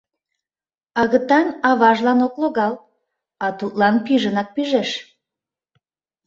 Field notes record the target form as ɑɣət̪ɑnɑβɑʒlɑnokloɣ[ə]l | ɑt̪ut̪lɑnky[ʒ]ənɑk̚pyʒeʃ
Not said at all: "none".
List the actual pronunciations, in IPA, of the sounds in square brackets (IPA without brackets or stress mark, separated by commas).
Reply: ɑ, ʒ